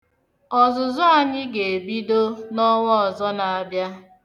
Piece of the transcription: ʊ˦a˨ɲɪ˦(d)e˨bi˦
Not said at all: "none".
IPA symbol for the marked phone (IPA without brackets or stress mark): ɡ